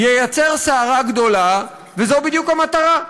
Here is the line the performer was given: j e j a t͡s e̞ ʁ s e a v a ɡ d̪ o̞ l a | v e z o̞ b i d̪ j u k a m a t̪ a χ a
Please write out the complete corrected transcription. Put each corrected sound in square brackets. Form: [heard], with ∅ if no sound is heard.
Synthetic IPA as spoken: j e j a t͡s e̞ ʁ s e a [ʁ] a ɡ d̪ o̞ l a | v e z o̞ b i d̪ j u k a m a t̪ a [ʁ] a